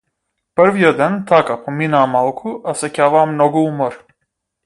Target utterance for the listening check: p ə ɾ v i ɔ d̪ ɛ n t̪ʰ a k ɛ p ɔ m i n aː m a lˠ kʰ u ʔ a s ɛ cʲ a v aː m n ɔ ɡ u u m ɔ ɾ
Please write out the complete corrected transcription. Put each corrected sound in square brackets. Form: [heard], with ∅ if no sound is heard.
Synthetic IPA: p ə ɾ v i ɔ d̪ ɛ n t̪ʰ a k [a] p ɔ m i n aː m a lˠ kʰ u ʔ a s ɛ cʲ a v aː m n ɔ ɡ u u m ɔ ɾ